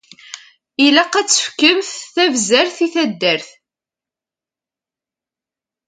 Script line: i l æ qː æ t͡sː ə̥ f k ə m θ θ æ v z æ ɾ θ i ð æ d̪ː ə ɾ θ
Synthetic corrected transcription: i l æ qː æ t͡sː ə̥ f k ə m θ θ æ v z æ ɾ θ i θ æ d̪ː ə ɾ θ